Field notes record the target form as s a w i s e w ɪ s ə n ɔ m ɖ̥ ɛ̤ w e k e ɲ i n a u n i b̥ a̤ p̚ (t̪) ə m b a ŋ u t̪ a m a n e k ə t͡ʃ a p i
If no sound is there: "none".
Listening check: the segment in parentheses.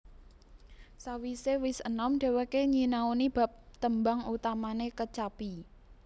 t̪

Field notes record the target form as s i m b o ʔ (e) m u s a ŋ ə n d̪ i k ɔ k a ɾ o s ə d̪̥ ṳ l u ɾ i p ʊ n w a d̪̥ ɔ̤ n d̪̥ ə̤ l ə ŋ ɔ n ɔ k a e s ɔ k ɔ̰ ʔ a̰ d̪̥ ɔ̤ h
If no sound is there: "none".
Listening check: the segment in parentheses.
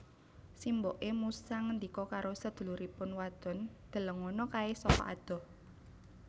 e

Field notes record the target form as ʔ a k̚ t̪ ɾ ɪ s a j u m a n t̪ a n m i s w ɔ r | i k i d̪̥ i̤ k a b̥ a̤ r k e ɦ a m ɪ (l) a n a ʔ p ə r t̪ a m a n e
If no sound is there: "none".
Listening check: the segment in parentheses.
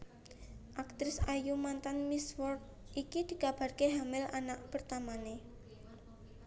l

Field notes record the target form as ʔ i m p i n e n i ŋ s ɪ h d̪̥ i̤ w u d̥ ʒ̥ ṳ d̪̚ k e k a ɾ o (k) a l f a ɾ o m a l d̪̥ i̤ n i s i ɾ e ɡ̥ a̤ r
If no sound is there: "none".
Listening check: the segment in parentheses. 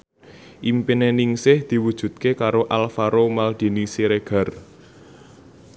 ʔ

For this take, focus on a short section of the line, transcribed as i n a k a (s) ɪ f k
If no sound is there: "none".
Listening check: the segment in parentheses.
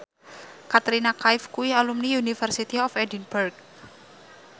none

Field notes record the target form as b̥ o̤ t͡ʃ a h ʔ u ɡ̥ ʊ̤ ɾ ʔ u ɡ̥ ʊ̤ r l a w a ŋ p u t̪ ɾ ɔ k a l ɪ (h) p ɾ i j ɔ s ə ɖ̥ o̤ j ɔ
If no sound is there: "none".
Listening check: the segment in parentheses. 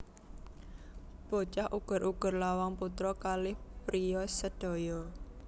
h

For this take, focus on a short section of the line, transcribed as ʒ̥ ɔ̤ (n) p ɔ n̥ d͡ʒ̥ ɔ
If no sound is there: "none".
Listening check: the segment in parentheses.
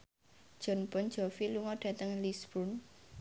n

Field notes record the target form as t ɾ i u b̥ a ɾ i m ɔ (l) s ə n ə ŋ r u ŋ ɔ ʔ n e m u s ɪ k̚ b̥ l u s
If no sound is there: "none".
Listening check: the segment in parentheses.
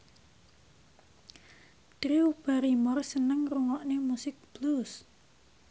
r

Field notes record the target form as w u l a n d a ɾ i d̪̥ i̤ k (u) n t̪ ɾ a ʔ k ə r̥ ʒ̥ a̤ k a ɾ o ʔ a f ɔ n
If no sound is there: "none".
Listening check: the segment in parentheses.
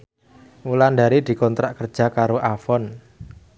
ɔ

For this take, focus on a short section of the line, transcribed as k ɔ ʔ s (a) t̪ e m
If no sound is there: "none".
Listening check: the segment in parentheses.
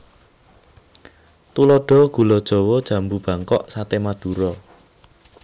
a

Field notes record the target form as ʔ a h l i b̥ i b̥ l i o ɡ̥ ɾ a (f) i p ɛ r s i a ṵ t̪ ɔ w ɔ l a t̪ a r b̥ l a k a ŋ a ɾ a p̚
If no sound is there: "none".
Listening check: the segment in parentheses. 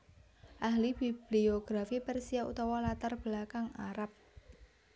f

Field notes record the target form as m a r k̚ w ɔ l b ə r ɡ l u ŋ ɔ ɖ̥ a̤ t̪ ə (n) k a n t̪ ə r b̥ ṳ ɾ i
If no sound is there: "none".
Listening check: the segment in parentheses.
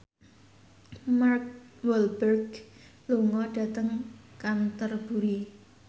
ŋ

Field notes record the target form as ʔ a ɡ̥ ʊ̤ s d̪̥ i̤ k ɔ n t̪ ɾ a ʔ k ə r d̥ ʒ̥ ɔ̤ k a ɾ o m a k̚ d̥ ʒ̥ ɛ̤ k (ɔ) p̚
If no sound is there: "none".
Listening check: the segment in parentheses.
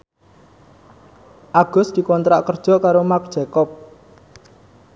ɔ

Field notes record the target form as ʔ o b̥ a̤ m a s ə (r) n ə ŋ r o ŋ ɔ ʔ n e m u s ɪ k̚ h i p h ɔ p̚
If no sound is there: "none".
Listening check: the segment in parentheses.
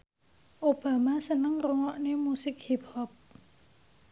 none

